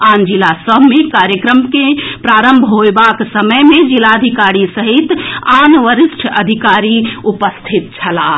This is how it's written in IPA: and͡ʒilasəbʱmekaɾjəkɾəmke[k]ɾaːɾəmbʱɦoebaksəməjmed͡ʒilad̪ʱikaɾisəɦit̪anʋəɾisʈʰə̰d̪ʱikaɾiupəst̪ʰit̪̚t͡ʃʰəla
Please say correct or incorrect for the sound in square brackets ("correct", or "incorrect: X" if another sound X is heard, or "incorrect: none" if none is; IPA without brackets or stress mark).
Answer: incorrect: p